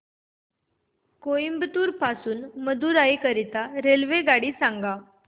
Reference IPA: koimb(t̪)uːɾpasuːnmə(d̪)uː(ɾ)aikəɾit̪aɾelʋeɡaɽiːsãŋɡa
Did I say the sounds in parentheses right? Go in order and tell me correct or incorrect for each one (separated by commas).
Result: correct, correct, correct